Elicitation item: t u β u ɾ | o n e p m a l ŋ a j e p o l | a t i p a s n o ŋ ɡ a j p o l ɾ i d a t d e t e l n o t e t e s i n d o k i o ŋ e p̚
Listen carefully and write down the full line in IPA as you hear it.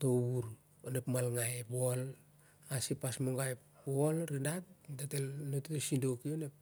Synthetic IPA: t o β u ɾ | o n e p m a l ŋ a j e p o l | a s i p a s m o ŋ ɡ a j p o l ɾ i d a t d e t e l n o t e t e s i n d o k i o n e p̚